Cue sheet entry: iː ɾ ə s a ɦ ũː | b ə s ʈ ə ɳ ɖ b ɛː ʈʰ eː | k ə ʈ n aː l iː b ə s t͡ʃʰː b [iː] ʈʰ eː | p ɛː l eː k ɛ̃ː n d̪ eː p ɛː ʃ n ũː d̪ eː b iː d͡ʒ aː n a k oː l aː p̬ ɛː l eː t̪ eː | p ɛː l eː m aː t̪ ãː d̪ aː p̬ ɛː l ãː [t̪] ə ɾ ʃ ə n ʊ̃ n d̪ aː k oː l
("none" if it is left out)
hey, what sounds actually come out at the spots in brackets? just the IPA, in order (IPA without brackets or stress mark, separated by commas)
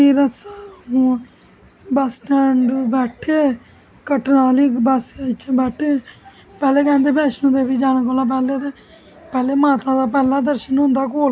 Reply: ɛː, d̪